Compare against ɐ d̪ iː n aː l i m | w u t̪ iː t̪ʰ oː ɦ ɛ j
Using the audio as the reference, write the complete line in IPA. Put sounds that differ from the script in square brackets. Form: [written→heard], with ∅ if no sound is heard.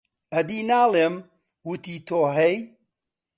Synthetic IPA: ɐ d̪ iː n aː l [i→e] m | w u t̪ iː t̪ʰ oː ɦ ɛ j

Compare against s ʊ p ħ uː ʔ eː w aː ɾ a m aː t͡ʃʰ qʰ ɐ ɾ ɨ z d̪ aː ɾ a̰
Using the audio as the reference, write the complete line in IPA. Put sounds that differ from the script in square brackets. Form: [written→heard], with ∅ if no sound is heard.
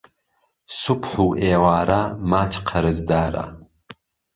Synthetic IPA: s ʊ p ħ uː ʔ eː w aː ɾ a m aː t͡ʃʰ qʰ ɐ ɾ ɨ z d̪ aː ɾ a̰

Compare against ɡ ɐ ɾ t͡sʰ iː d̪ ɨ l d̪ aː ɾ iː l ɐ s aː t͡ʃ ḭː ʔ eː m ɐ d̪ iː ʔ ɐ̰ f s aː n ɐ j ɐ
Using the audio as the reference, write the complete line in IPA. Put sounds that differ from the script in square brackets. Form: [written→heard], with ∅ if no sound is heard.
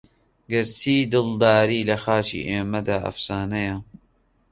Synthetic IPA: ɡ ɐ ɾ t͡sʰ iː d̪ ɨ l d̪ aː ɾ iː l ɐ [s→x] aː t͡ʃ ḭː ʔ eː m ɐ d̪ [iː→aː] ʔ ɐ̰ f s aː n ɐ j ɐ

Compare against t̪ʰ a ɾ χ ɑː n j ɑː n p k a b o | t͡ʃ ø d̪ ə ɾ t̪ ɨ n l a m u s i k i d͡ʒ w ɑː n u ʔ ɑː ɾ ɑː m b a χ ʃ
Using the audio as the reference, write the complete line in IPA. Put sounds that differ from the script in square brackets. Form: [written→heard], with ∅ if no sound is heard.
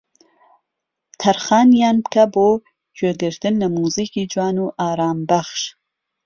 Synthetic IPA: t̪ʰ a ɾ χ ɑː n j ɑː n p k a b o | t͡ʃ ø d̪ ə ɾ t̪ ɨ n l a m u [s→z] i k i d͡ʒ w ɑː n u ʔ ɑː ɾ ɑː m b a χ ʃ

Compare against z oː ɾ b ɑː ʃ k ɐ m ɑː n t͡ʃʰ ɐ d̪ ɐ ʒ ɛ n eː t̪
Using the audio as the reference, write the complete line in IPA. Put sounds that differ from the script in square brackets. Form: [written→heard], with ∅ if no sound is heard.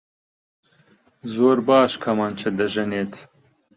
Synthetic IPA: z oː ɾ b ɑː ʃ [k→kʰ] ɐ m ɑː n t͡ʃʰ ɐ d̪ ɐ ʒ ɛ n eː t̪

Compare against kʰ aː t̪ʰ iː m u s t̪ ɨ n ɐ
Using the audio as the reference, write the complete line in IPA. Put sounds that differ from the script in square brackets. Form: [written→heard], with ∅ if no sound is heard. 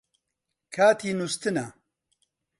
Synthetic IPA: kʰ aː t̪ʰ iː [m→n] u s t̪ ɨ n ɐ

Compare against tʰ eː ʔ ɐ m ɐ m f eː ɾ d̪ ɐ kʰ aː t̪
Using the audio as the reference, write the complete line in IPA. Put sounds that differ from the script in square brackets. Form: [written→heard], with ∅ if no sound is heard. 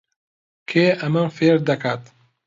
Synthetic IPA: [tʰ→kʰ] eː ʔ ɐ m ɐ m f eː ɾ d̪ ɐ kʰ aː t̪

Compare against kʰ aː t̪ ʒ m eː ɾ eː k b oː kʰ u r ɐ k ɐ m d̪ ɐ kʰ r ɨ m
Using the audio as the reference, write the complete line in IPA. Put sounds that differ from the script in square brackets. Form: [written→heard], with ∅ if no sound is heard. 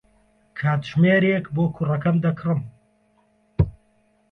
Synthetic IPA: kʰ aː t̪ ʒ m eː ɾ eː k b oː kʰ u r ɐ k ɐ m d̪ ɐ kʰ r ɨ m

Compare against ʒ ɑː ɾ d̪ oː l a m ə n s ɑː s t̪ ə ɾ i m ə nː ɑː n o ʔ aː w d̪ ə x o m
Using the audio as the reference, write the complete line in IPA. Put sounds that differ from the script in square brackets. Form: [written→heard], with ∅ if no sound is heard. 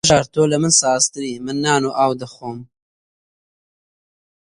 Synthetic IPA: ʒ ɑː ɾ [d̪→t̪] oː l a m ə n s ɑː s t̪ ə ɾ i m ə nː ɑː n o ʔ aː w d̪ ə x o m

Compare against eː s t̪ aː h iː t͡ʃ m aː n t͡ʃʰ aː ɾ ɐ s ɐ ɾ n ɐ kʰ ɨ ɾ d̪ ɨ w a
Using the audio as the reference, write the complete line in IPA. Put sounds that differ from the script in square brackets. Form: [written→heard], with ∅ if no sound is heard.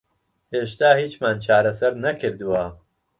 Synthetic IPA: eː [s→ʃ] t̪ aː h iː t͡ʃ m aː n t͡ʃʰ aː ɾ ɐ s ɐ ɾ n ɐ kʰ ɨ ɾ d̪ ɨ w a

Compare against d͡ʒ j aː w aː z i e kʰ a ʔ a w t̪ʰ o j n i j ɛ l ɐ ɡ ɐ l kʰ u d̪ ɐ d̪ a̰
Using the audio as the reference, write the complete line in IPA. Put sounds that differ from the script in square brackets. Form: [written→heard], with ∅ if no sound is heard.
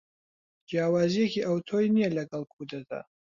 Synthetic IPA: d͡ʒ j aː w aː z i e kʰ [a→i] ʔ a w t̪ʰ o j n i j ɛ l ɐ ɡ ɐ l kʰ u d̪ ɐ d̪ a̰

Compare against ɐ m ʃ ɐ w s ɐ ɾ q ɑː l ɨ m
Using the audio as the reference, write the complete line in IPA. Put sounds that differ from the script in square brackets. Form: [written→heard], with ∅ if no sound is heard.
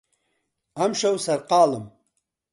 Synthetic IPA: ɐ m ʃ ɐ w s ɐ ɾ q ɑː l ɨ m

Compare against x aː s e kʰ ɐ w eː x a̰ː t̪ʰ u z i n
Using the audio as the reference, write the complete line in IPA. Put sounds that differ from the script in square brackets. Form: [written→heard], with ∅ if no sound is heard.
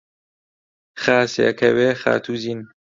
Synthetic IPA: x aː s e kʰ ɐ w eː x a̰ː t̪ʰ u z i n

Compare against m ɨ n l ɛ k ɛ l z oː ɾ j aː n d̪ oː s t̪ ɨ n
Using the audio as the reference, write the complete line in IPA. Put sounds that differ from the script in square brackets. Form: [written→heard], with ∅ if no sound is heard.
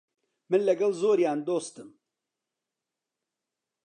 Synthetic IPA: m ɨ n l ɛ [k→ɡ] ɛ l z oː ɾ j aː n d̪ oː s t̪ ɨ [n→m]

